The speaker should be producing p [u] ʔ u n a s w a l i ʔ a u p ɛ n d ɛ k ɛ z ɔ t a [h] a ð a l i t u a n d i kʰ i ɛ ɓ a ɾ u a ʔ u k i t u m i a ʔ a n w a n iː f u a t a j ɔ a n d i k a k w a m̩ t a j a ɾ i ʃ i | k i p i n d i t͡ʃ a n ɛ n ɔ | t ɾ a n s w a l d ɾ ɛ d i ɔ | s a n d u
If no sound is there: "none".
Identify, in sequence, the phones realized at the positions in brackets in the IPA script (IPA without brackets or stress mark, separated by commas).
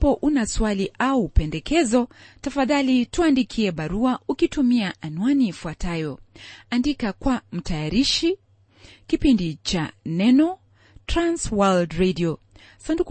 ɔ, f